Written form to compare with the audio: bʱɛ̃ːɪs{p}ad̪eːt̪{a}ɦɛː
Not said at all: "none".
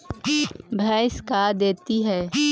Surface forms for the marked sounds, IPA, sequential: k, i

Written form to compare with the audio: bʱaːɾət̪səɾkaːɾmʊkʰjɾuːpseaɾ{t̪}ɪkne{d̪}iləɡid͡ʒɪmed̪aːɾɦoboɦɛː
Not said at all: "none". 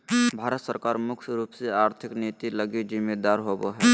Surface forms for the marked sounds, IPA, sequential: t̪ʰ, t̪

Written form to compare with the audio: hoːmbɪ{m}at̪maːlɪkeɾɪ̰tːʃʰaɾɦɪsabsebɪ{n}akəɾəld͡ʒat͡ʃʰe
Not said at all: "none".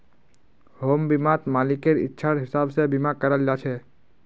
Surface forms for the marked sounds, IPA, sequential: m, m

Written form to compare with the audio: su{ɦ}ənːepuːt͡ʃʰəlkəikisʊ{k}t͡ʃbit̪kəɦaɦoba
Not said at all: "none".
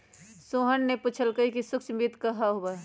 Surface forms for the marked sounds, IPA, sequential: ɦ, k

